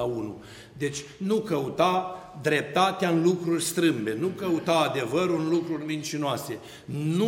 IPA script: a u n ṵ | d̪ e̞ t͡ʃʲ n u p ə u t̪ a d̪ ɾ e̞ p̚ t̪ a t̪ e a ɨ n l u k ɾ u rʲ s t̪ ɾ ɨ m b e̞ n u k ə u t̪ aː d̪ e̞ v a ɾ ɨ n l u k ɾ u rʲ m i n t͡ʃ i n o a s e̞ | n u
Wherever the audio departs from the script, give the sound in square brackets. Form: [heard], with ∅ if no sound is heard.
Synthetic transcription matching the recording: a u n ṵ | d̪ e̞ t͡ʃʲ n u [k] ə u t̪ a d̪ ɾ e̞ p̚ t̪ a t̪ e a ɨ n l u k ɾ u rʲ s t̪ ɾ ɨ m b e̞ n u k ə u t̪ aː d̪ e̞ v [ə] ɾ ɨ n l u k ɾ u rʲ m i n t͡ʃ i n o a s e̞ | n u